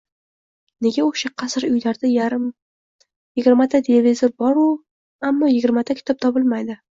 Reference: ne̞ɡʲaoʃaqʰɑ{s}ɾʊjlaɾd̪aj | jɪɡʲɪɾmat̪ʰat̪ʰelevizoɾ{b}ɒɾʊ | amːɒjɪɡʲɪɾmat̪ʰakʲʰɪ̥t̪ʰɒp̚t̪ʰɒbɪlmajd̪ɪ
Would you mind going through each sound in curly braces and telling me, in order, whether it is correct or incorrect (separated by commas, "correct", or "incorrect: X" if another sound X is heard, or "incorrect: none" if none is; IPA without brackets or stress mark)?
correct, correct